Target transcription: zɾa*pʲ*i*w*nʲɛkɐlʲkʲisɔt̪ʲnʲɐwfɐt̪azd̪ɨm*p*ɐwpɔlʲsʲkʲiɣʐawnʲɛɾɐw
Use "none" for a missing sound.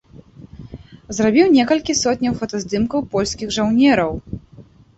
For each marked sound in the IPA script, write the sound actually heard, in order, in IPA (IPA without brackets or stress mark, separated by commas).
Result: bʲ, w, k